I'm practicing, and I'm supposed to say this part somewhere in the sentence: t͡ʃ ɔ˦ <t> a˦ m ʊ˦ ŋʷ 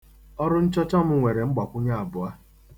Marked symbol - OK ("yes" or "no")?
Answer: no